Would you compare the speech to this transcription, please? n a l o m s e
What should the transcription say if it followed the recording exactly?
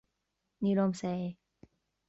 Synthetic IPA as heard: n i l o m s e